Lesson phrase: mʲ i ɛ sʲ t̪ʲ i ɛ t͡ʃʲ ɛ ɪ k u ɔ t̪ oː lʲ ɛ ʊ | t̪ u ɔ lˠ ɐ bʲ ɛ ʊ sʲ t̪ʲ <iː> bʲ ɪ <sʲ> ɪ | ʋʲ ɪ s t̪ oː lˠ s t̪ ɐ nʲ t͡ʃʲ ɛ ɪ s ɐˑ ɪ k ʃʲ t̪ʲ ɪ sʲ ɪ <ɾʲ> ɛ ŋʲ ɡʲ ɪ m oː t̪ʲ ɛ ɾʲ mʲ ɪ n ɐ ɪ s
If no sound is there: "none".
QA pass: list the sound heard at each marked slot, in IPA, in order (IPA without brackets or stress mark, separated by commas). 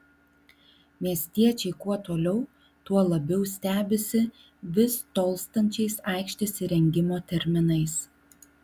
æː, sʲ, ɾʲ